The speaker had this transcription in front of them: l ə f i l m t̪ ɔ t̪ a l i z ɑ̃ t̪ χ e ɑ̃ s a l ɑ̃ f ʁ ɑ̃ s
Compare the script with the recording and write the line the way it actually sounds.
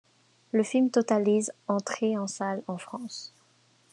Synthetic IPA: l ə f i l m t̪ ɔ t̪ a l i z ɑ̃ t̪ χ e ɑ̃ s a l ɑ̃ f χ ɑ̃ s